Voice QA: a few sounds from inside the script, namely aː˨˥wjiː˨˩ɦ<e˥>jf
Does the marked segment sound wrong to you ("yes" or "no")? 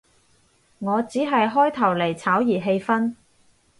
yes